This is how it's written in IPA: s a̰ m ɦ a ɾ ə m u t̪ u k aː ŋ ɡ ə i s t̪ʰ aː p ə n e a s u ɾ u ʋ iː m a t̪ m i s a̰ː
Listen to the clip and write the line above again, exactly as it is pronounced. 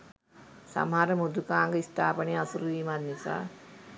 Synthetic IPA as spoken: s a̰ m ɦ a ɾ ə m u d̪ u k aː ŋ ɡ ə i s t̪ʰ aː p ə n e a s u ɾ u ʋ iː m a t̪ n i s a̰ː